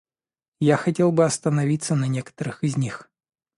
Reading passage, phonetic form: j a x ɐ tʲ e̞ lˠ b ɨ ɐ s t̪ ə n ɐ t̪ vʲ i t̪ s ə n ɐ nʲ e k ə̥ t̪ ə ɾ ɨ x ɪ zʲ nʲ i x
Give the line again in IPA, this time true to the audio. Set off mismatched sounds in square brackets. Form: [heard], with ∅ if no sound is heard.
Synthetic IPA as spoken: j a x ɐ tʲ e̞ lˠ b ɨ ɐ s t̪ ə n ɐ [∅] vʲ i t̪ s ə n ɐ nʲ e k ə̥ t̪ ə ɾ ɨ x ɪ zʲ nʲ i x